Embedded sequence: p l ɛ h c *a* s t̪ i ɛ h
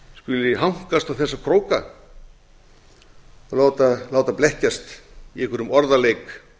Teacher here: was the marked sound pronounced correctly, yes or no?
yes